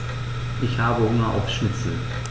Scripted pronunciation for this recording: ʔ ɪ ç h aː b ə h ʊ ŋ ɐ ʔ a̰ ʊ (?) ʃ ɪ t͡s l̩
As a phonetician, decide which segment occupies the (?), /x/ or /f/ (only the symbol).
f